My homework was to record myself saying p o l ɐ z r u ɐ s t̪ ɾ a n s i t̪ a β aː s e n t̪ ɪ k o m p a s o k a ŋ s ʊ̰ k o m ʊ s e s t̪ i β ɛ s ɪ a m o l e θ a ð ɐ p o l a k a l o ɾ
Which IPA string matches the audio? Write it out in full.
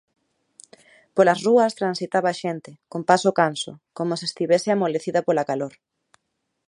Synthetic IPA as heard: p o l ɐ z r u ɐ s t̪ ɾ a n s i t̪ a β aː ʃ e n t̪ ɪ k o m p a s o k a n s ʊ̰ k o m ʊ s e s t̪ i β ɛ s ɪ a m o l e θ i ð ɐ p o l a k a l o ɾ